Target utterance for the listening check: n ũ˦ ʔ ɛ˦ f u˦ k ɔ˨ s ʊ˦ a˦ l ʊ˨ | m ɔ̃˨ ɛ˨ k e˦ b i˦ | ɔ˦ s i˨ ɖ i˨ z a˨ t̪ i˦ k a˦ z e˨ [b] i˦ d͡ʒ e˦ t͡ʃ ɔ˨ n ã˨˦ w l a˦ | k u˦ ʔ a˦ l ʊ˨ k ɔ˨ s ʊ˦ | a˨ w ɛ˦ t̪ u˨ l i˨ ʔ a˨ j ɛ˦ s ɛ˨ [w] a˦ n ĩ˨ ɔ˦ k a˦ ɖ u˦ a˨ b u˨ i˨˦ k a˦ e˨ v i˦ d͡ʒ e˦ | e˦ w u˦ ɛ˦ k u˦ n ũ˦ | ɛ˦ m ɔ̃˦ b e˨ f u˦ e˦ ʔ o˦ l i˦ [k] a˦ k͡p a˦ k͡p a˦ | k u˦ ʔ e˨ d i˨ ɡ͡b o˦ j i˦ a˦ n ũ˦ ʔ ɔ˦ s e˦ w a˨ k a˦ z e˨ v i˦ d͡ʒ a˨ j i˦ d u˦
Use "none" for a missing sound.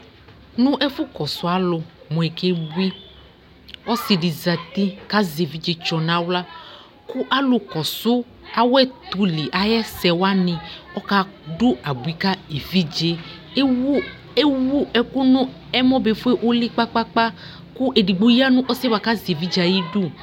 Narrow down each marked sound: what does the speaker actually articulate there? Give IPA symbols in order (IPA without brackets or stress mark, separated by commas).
v, w, k͡p